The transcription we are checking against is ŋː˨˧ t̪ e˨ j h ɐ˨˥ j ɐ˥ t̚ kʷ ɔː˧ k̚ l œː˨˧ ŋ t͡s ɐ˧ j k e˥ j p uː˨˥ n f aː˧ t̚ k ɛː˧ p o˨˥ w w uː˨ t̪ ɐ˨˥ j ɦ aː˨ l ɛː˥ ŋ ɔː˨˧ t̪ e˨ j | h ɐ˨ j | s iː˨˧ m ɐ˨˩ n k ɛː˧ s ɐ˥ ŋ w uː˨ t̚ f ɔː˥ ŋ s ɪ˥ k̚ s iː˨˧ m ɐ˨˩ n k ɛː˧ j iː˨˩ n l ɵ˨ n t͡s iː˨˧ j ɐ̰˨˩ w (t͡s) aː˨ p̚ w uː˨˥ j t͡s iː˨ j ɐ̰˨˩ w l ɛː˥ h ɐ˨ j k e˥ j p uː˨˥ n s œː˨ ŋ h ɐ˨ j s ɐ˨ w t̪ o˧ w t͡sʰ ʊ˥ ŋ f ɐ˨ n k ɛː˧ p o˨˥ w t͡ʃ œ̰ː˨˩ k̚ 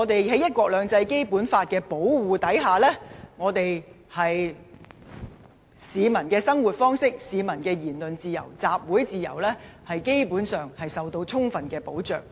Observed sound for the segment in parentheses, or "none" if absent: t͡s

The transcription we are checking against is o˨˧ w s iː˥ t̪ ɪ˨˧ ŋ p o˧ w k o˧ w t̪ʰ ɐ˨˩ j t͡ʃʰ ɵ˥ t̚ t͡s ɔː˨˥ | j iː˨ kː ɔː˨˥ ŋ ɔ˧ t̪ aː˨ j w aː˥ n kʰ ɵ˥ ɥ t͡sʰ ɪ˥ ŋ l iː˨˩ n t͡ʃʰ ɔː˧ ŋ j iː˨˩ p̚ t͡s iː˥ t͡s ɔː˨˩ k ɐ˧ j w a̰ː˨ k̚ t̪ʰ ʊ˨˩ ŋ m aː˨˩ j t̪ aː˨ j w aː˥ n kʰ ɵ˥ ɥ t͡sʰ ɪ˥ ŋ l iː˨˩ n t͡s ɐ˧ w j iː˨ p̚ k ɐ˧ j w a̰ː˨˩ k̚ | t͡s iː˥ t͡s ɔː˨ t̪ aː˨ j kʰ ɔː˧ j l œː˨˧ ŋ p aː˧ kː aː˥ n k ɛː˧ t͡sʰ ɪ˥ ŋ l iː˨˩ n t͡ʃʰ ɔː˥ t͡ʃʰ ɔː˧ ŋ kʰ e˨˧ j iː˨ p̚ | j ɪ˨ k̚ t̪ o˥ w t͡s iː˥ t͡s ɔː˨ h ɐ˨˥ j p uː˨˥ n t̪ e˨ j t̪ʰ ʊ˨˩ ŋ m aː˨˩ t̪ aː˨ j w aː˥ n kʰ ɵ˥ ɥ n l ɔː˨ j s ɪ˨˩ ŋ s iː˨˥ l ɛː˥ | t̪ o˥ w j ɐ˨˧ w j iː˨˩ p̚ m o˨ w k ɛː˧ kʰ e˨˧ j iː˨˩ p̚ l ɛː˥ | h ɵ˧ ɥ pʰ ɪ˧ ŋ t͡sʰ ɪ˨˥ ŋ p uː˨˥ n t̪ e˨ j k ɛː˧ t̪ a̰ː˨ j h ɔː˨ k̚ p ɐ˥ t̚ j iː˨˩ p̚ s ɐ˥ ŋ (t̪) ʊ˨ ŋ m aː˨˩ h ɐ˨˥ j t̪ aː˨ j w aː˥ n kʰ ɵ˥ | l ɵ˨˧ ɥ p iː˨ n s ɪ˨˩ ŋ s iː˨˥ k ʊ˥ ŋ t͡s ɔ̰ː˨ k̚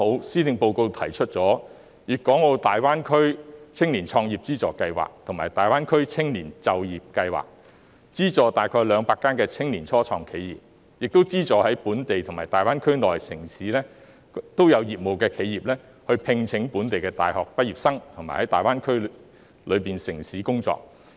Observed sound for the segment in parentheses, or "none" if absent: t̪ʰ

